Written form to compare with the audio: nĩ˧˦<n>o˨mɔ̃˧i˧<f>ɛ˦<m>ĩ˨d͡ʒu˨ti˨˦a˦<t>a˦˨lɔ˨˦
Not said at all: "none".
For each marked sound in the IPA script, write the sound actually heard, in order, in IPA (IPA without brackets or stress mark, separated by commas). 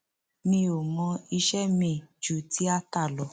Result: none, ʃ, m, t